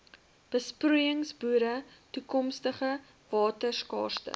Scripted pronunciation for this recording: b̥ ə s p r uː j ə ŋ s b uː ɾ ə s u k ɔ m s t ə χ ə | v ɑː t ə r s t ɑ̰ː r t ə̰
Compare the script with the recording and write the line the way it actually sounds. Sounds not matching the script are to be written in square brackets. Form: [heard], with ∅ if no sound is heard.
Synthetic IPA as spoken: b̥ ə s p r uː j ə ŋ s b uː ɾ ə [t] u k ɔ m s t ə χ ə | v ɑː t ə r s [k] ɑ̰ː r t ə̰